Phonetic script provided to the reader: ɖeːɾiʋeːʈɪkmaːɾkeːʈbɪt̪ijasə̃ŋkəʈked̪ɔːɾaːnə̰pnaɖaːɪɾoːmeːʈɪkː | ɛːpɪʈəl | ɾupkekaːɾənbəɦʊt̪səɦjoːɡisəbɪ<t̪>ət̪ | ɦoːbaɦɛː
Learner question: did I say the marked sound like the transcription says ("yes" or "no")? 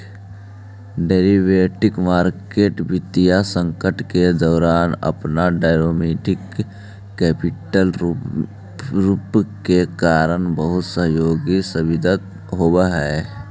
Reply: no